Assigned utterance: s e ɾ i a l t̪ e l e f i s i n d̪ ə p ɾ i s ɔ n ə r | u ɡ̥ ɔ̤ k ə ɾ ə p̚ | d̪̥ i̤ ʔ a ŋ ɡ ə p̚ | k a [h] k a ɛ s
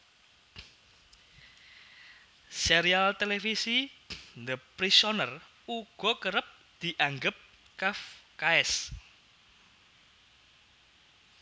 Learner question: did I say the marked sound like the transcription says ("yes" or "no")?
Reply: no